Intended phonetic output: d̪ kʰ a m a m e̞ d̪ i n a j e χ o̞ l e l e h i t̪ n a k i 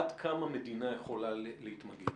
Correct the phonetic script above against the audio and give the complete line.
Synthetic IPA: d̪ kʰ a m a m e̞ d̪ i n a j e χ o̞ l a l e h i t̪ m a ɡ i